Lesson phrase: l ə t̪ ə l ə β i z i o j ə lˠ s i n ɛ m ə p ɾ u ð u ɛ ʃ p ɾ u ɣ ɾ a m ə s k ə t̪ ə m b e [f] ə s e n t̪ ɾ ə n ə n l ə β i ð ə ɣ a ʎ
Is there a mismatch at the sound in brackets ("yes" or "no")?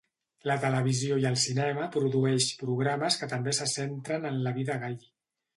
yes